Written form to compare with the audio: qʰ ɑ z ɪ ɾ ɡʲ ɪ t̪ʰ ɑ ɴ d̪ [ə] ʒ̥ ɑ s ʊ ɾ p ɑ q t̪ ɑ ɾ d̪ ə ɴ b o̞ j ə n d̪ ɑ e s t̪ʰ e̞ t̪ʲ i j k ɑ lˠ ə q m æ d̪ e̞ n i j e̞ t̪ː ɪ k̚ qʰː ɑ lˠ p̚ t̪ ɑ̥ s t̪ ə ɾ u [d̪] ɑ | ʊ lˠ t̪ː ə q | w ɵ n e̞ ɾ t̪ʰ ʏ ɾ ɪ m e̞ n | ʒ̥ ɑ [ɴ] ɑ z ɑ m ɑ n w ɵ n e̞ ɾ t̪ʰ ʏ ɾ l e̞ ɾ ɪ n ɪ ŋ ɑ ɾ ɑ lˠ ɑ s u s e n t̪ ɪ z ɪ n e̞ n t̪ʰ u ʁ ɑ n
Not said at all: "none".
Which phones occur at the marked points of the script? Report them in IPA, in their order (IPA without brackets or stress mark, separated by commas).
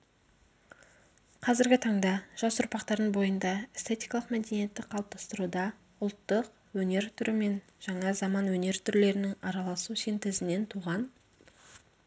ɑ, d̪, ɴ